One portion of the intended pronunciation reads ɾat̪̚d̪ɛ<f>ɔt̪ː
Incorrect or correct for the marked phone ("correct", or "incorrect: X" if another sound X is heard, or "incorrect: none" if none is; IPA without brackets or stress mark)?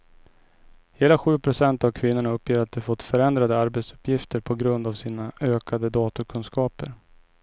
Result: correct